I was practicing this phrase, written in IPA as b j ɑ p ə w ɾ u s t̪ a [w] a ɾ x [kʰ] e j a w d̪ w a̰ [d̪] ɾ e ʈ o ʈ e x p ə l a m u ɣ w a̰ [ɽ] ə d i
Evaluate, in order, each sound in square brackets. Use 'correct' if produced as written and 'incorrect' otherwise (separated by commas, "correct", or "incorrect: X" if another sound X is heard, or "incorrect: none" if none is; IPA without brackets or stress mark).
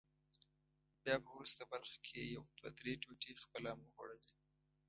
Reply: incorrect: b, correct, correct, correct